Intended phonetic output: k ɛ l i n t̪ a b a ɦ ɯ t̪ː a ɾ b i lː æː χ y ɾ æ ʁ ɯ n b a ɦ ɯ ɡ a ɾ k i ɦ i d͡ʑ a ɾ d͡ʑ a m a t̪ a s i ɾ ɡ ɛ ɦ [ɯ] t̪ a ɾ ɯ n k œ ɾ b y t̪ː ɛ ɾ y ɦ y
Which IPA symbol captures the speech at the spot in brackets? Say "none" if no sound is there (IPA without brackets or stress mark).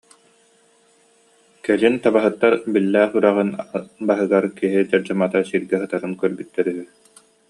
ɯ